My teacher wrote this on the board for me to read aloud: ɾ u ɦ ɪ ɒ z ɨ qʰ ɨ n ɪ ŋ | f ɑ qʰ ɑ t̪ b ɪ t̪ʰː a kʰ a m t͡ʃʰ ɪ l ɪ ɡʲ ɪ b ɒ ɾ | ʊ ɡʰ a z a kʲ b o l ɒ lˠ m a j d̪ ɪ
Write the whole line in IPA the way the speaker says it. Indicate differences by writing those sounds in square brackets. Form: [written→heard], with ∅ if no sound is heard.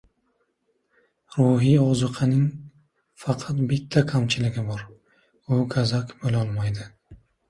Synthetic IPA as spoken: ɾ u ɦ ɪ ɒ z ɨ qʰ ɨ n ɪ ŋ | f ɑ qʰ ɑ t̪ b ɪ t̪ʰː a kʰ a m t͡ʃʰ ɪ l ɪ ɡʲ ɪ b ɒ ɾ | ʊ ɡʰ a z a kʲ b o l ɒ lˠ m a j d̪ ɪ